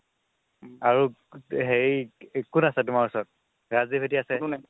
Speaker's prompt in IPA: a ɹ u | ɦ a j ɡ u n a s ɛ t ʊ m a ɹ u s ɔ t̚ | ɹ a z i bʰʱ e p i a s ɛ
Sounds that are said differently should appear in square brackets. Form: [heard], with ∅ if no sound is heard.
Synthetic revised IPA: a ɹ u | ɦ [e] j [k] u n a s ɛ t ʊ m a ɹ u s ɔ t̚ | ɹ a z i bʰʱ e [t] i a s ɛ